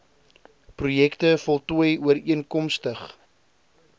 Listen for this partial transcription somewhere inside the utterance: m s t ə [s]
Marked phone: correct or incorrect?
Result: incorrect